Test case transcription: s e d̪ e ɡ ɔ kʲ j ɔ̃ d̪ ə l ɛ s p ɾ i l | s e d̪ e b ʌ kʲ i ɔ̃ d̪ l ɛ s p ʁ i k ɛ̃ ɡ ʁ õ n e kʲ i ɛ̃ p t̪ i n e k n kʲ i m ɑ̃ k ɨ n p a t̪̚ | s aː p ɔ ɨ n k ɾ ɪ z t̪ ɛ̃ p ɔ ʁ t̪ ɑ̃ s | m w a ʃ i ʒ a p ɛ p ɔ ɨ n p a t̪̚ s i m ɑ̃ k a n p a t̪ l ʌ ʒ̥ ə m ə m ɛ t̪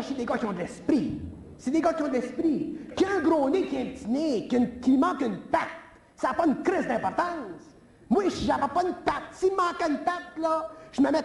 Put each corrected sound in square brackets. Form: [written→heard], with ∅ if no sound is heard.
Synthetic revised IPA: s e d̪ e ɡ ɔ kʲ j ɔ̃ d̪ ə l ɛ s p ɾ i [l→∅] | s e d̪ e [b→ɡ] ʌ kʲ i ɔ̃ d̪ l ɛ s p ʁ i k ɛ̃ ɡ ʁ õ n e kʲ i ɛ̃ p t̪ i n e k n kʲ i m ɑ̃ k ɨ n p a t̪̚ | s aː p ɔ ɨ n k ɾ ɪ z [t̪→d̪] ɛ̃ p ɔ ʁ t̪ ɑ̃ s | m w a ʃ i ʒ a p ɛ p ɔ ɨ n p a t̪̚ s i m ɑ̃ k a n p a t̪ l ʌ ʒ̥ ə m ə m ɛ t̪